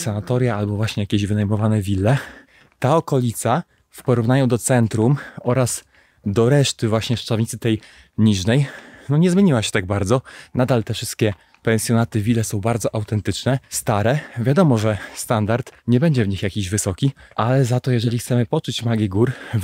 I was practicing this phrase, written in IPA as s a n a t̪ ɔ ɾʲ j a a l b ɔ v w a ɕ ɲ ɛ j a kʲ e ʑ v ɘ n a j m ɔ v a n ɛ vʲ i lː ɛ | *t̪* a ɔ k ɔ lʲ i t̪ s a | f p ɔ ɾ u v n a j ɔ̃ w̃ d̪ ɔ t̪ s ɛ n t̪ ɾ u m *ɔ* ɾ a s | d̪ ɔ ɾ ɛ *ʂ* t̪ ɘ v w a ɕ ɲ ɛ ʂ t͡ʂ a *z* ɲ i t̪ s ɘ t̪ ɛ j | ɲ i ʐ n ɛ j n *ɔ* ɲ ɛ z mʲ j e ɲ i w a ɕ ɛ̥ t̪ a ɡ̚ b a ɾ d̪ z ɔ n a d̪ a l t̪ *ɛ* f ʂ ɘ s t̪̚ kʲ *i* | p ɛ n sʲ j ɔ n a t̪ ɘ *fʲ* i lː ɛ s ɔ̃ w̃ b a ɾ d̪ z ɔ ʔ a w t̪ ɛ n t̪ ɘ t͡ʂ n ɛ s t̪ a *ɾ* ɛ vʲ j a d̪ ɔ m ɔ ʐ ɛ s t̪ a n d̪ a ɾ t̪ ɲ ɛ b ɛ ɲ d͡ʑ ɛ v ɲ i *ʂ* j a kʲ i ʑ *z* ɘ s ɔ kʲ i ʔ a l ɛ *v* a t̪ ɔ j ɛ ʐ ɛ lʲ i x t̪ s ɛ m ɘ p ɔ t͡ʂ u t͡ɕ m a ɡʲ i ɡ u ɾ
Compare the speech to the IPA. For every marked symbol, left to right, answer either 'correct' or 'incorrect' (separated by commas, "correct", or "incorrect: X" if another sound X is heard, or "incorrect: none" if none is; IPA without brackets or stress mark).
correct, correct, correct, incorrect: v, correct, correct, incorrect: ɛ, incorrect: vʲ, correct, incorrect: x, incorrect: v, incorrect: z